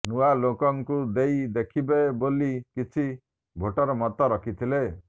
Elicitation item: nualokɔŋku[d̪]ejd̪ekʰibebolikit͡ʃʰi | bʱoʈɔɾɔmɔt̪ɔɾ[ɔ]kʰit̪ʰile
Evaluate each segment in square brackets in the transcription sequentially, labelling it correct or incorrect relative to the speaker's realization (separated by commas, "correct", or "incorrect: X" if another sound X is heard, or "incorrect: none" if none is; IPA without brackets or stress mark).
correct, correct